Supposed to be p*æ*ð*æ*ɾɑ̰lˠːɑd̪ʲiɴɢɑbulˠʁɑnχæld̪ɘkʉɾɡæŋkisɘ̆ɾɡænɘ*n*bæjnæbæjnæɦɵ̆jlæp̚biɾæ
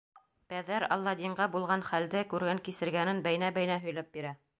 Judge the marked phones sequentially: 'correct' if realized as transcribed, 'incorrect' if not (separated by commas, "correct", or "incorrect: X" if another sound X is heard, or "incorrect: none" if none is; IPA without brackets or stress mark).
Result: correct, correct, correct